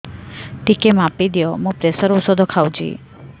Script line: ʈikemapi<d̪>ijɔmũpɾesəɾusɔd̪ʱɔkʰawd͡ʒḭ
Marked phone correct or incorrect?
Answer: correct